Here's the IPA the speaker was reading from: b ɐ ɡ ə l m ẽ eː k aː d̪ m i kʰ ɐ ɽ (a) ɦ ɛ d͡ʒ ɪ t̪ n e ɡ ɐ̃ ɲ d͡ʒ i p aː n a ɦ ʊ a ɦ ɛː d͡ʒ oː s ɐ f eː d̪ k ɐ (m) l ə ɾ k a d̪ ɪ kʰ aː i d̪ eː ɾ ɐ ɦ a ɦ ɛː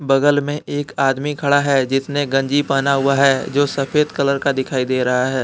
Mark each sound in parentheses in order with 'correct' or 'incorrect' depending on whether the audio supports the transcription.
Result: correct, incorrect

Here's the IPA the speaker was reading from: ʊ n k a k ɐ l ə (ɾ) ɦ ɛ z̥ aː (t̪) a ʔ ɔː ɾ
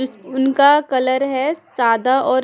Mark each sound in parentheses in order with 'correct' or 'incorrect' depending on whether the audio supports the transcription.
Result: correct, incorrect

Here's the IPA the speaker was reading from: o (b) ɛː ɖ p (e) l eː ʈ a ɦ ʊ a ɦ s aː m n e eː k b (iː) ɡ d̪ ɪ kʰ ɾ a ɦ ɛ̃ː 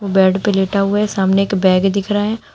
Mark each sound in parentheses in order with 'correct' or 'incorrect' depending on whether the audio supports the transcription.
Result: correct, correct, incorrect

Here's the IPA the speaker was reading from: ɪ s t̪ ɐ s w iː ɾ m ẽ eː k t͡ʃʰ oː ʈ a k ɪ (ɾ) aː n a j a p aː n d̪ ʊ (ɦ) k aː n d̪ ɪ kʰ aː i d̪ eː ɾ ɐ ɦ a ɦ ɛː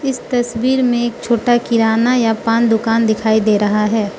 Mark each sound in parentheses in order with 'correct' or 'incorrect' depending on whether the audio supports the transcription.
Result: correct, incorrect

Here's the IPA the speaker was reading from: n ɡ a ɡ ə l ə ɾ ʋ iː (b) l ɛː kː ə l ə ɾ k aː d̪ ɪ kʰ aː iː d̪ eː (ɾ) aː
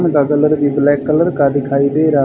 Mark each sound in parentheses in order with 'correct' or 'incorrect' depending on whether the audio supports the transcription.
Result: correct, correct

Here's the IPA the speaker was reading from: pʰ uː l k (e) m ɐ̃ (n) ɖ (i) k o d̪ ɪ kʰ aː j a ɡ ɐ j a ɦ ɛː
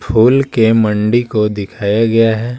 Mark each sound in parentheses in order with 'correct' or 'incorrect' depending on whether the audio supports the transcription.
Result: correct, incorrect, correct

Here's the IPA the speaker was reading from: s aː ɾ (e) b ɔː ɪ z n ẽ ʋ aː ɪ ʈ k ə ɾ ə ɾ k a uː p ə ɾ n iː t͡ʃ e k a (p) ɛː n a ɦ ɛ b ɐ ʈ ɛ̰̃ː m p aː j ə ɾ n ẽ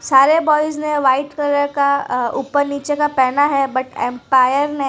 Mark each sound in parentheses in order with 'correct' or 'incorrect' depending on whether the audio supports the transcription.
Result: correct, correct

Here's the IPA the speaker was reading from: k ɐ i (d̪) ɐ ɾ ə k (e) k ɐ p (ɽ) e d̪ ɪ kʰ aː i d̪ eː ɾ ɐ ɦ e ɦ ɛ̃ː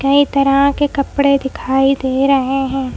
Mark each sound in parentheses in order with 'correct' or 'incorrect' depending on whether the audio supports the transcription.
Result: incorrect, correct, correct

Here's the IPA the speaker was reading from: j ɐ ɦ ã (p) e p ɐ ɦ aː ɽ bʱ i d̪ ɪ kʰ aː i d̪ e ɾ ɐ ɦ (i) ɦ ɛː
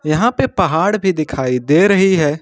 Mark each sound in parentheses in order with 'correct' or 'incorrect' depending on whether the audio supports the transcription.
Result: correct, correct

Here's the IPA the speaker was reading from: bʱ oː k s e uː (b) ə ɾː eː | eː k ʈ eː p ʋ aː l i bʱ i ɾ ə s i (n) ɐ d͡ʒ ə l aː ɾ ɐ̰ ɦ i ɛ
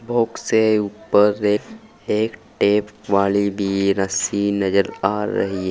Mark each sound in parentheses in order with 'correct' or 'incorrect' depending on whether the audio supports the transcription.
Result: incorrect, correct

